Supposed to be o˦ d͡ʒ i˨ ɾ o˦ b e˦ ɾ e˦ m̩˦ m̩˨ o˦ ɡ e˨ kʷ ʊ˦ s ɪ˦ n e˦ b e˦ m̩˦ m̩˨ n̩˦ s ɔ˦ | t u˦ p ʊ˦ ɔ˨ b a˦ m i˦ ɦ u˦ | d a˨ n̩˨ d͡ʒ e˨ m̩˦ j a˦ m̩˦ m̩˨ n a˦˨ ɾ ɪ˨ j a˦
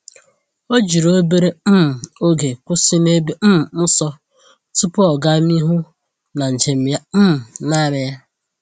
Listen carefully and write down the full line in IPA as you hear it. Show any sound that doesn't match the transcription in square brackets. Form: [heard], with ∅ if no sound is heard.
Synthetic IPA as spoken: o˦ d͡ʒ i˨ ɾ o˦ b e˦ ɾ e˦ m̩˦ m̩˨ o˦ ɡ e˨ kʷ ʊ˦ s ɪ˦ n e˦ b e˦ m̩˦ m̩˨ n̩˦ s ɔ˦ | t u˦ p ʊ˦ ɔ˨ [ɡ] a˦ m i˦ ɦ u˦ | [n] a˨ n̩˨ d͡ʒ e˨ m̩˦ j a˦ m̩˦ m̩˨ n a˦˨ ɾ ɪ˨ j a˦